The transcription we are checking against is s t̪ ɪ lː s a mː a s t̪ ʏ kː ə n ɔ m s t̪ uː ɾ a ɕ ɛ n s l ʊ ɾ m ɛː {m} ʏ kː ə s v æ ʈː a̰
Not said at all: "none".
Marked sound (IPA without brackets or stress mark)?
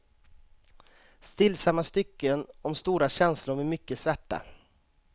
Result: m